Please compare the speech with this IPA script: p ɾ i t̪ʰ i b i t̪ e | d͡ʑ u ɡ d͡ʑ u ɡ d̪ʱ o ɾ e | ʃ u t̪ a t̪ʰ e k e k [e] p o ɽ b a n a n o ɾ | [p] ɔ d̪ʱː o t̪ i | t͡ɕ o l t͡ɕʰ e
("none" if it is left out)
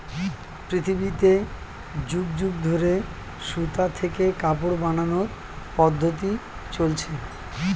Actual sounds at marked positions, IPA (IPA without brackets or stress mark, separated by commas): a, p